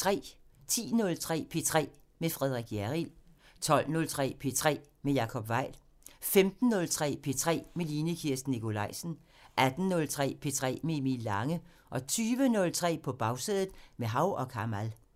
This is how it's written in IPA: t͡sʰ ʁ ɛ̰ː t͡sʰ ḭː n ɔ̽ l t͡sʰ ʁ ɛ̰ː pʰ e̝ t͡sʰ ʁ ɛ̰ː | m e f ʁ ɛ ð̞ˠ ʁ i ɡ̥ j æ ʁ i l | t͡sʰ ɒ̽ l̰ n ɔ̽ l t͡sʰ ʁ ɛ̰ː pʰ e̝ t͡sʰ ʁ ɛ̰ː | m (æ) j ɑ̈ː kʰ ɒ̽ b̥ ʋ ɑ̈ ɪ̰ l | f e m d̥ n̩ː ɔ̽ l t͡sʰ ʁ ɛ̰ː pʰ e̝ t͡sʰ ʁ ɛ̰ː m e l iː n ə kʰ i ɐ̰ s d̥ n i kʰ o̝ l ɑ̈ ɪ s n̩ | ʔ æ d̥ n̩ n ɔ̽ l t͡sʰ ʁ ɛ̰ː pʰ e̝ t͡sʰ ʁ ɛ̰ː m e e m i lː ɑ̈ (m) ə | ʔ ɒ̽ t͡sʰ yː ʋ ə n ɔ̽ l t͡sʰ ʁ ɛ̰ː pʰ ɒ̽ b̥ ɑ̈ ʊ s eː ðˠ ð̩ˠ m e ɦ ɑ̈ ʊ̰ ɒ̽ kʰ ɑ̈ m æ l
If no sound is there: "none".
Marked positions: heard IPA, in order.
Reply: e, ŋ

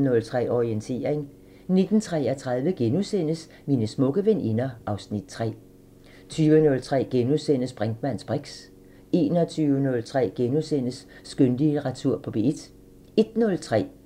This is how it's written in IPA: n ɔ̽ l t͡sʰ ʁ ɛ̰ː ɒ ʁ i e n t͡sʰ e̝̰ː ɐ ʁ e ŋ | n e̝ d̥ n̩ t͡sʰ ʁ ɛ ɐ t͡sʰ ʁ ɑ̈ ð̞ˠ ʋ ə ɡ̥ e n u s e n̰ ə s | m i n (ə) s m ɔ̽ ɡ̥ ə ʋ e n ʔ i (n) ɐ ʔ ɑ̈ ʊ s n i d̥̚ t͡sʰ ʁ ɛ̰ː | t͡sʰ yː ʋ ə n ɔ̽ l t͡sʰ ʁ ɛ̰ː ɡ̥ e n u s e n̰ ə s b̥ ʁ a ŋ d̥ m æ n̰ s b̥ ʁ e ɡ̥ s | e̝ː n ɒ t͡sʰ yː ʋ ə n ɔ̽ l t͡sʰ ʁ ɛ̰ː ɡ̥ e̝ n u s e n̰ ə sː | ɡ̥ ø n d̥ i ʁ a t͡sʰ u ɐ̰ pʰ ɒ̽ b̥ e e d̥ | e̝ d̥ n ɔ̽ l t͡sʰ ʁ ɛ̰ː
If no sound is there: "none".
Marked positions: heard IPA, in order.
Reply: ə, n

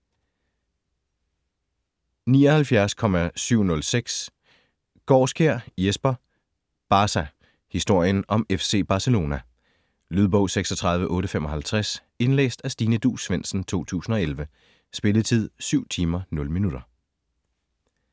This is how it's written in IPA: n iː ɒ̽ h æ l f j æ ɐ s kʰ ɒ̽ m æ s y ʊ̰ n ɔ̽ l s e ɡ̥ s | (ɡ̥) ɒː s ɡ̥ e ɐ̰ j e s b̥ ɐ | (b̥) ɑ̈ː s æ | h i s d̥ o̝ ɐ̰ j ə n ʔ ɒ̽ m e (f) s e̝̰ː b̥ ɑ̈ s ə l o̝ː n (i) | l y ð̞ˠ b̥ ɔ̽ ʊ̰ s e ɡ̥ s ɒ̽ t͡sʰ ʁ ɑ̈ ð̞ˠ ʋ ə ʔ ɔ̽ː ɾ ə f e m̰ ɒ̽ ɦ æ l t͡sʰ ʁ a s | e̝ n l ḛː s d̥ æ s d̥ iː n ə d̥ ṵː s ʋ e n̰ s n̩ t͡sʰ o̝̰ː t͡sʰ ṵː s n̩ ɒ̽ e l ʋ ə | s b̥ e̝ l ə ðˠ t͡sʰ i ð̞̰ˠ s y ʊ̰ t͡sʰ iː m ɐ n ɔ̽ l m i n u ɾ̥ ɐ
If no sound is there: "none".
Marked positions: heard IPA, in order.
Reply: ɡ̥, b̥, f, æ

